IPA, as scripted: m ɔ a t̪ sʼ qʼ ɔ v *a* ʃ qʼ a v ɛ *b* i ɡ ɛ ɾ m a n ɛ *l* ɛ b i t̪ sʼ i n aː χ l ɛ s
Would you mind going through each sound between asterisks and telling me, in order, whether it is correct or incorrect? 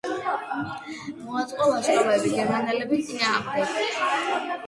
correct, correct, correct

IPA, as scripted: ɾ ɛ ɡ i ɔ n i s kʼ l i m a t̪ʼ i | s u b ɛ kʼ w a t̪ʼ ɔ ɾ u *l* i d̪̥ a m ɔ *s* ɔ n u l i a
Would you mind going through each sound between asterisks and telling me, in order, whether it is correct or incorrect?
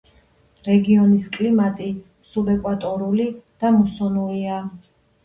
correct, correct

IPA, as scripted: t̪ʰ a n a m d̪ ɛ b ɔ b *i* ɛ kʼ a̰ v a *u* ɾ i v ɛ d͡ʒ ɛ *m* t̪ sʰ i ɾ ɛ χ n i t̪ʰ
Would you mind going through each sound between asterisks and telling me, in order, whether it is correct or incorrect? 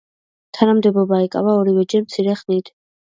incorrect: a, incorrect: ɔ, correct

